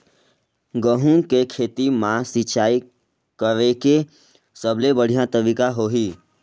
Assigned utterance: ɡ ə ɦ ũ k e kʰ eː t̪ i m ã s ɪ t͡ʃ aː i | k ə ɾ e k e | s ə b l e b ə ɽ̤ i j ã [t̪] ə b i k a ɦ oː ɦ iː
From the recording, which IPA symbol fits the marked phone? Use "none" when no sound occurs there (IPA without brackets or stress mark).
t̪